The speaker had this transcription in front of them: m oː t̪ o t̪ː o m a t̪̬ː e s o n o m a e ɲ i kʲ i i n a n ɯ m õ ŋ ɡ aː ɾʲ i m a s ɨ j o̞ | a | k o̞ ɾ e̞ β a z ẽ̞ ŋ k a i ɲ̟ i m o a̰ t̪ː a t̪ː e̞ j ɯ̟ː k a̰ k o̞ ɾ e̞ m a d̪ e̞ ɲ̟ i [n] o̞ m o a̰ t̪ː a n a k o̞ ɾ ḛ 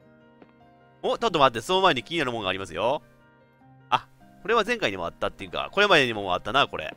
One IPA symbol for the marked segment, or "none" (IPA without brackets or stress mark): m